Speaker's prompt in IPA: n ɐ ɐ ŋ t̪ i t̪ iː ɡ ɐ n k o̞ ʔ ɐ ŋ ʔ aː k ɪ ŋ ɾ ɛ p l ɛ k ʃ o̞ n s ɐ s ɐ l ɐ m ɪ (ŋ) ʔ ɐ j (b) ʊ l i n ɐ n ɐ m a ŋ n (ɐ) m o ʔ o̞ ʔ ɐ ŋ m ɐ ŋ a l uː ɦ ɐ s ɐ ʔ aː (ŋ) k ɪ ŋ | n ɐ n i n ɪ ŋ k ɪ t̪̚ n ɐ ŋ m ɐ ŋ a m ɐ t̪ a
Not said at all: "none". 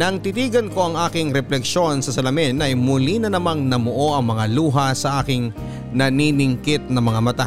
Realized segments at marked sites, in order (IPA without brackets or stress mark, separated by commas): n, m, ɐ, none